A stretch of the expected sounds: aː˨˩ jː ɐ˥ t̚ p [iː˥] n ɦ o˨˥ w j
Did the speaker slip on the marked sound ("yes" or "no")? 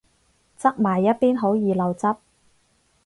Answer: no